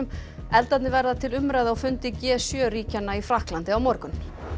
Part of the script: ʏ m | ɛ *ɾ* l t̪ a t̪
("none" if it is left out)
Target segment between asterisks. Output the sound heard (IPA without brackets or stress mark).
none